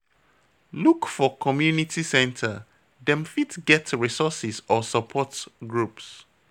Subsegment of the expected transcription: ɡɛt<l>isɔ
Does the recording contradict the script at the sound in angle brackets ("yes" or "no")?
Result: yes